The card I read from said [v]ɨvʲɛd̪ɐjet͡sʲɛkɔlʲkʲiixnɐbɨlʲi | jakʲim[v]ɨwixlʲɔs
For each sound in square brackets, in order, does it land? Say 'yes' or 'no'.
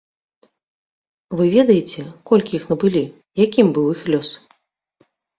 yes, no

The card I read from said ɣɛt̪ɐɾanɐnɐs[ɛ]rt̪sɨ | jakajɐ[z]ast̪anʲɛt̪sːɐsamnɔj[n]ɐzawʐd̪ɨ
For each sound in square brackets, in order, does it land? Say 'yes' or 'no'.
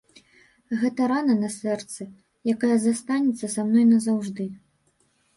yes, yes, yes

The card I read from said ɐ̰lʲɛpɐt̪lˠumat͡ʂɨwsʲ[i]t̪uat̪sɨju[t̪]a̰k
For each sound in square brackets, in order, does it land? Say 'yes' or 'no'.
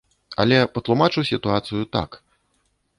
yes, yes

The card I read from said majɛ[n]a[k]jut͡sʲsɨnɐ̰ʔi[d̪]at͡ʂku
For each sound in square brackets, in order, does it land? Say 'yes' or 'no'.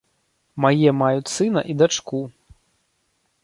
no, no, yes

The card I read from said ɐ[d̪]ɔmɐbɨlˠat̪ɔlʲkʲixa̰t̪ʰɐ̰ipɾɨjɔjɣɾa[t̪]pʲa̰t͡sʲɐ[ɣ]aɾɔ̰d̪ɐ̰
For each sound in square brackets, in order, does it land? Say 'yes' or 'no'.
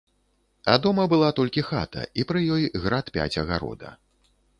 yes, yes, yes

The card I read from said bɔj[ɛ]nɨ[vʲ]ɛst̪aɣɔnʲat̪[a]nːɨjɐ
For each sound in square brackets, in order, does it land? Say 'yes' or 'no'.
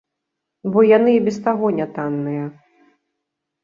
no, no, yes

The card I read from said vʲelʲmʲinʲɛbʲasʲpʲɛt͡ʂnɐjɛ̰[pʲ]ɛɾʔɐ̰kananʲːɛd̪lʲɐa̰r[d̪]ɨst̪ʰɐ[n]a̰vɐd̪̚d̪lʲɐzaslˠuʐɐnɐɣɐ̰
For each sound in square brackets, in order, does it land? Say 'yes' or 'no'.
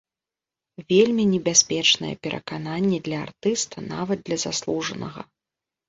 yes, no, yes

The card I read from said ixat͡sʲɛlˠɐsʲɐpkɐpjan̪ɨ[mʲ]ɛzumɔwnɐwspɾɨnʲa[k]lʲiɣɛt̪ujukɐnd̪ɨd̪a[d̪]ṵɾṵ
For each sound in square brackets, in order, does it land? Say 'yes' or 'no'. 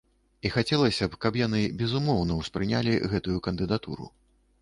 no, no, no

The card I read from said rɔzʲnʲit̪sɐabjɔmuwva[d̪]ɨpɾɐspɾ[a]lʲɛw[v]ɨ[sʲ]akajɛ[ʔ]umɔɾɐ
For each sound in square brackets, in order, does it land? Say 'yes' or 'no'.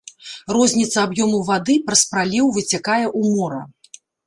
yes, yes, yes, no, yes

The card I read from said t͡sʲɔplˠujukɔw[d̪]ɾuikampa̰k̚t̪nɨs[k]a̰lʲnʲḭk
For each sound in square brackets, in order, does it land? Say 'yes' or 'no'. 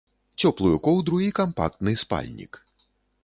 yes, no

